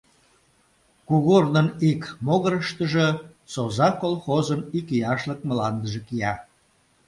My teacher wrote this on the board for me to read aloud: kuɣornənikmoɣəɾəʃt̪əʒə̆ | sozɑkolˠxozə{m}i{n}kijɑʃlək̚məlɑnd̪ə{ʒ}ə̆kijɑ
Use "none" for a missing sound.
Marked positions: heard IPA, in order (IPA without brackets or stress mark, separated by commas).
n, none, ʒ